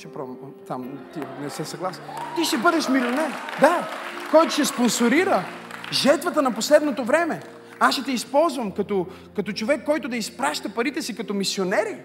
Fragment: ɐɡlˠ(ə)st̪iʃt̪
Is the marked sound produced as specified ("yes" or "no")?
no